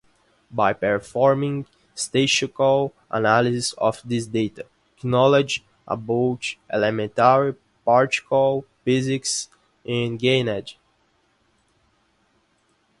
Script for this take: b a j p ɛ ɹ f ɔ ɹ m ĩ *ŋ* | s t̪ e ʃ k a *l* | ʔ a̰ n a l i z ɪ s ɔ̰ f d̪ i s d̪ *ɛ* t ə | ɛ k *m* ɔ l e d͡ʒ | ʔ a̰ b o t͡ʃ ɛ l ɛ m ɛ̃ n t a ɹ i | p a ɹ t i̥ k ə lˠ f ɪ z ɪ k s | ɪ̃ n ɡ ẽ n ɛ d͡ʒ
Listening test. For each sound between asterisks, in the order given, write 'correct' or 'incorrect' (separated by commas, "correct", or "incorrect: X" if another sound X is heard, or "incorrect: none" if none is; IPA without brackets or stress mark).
correct, correct, incorrect: e, incorrect: n